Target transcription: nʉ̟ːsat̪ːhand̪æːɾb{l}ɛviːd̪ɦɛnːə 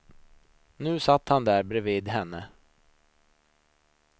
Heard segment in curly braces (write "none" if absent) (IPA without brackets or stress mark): ɾ